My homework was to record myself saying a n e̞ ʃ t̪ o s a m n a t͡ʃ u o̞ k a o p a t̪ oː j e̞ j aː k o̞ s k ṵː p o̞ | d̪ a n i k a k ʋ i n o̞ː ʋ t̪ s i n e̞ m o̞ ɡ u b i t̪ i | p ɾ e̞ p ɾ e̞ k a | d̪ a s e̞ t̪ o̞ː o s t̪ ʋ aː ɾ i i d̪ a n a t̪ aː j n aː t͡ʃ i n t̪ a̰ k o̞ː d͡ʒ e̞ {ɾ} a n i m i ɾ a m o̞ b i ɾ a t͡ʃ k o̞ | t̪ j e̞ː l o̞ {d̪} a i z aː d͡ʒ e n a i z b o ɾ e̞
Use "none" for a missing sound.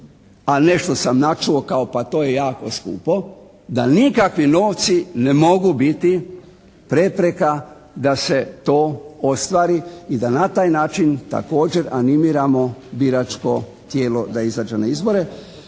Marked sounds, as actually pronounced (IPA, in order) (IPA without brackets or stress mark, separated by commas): ɾ, d̪